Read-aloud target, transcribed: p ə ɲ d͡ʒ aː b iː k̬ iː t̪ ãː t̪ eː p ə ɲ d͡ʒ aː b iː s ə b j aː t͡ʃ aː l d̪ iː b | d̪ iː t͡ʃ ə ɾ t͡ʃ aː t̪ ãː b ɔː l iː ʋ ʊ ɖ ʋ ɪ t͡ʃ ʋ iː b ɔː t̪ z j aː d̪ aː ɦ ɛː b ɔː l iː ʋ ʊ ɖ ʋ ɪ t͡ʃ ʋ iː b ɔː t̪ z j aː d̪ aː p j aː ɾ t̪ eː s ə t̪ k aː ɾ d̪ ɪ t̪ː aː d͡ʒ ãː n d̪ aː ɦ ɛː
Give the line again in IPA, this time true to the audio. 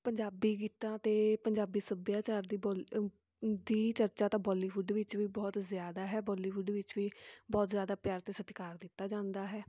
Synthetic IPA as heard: p ə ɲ d͡ʒ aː b iː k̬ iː t̪ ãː t̪ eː p ə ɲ d͡ʒ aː b iː s ə b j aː t͡ʃ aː ɾ d̪ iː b | d̪ iː t͡ʃ ə ɾ t͡ʃ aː t̪ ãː b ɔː l iː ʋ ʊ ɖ ʋ ɪ t͡ʃ ʋ iː b ɔː t̪ z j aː d̪ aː ɦ ɛː b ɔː l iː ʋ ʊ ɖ ʋ ɪ t͡ʃ ʋ iː b ɔː t̪ z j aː d̪ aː p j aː ɾ t̪ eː s ə t̪ k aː ɾ d̪ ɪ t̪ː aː d͡ʒ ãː n d̪ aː ɦ ɛː

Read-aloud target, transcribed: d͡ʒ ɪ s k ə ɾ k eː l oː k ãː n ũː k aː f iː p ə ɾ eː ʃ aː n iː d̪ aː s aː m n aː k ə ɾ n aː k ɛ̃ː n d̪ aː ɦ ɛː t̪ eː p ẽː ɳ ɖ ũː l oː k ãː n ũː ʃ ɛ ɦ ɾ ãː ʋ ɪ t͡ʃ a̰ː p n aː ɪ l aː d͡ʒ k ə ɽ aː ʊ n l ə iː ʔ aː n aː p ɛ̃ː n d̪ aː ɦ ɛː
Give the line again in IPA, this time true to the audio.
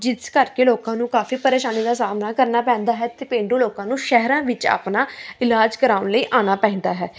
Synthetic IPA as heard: d͡ʒ ɪ s k ə ɾ k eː l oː k ãː n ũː k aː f iː p ə ɾ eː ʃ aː n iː d̪ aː s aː m n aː k ə ɾ n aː p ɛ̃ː n d̪ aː ɦ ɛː t̪ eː p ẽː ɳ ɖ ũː l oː k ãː n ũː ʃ ɛ ɦ ɾ ãː ʋ ɪ t͡ʃ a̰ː p n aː ɪ l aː d͡ʒ k ə ɾ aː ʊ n l ə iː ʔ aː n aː p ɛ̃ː n d̪ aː ɦ ɛː

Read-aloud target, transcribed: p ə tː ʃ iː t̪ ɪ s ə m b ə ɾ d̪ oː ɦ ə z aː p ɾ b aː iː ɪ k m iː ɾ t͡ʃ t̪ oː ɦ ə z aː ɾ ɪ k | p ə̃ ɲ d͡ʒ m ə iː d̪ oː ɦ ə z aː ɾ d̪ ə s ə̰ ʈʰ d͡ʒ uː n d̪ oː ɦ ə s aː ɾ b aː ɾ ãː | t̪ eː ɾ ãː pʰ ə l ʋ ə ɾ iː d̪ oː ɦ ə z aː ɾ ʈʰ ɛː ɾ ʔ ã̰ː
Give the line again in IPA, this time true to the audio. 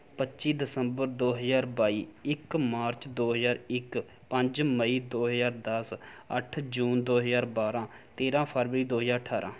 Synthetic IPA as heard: p ə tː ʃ iː d̪ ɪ s ə m b ə ɾ d̪ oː ɦ ə z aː ɾ b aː iː ɪ k m aː ɾ t͡ʃ d̪ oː ɦ ə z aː ɾ ɪ k | p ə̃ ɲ d͡ʒ m ə iː d̪ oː ɦ ə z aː ɾ d̪ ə s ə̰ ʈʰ d͡ʒ uː n d̪ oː ɦ ə z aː ɾ b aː ɾ ãː | t̪ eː ɾ ãː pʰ ə ɾ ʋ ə ɾ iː d̪ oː ɦ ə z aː ɾ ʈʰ aː ɾ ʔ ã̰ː

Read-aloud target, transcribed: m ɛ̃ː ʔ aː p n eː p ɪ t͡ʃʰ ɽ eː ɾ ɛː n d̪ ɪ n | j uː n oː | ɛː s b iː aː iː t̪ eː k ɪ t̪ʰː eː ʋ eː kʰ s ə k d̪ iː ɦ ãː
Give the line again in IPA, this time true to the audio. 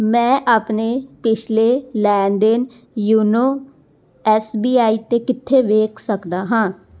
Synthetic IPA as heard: m ɛ̃ː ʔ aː p n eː p ɪ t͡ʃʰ l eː l ɛː n d̪ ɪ n | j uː n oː | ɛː s b iː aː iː t̪ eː k ɪ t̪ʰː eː ʋ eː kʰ s ə k d̪ aː ɦ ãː

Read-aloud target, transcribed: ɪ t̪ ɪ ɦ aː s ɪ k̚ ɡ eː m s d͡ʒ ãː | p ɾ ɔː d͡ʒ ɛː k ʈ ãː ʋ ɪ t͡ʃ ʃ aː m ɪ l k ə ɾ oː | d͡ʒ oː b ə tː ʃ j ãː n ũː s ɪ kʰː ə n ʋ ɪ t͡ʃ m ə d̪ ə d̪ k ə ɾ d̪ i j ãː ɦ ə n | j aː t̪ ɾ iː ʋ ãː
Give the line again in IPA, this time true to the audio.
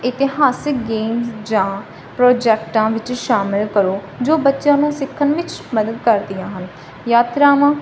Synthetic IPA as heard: ɪ t̪ ɪ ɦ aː s ɪ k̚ ɡ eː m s d͡ʒ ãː | p ɾ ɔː d͡ʒ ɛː k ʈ ãː ʋ ɪ t͡ʃ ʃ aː m ɪ l k ə ɾ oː | d͡ʒ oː b ə tː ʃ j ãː n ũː s ɪ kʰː ə n ʋ ɪ t͡ʃ m ə d̪ ə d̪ k ə ɾ d̪ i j ãː ɦ ə n | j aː t̪ ɾ aː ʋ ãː

